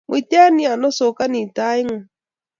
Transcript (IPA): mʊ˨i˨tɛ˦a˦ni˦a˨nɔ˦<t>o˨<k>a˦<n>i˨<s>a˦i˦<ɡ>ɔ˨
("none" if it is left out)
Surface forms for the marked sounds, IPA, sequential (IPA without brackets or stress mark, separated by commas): s, k, n, t, ŋ